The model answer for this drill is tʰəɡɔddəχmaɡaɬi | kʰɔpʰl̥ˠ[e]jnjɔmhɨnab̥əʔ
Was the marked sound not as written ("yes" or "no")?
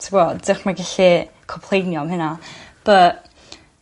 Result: no